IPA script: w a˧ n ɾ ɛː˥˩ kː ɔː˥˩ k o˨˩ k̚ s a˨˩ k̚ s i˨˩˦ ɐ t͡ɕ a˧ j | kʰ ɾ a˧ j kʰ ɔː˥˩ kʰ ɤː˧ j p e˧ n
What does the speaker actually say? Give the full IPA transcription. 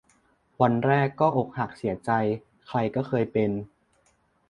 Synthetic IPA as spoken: w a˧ n ɾ ɛː˥˩ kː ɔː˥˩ ʔ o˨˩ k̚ h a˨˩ k̚ s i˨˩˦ ɐ t͡ɕ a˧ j | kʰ ɾ a˧ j k ɔː˥˩ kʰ ɤː˧ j p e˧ n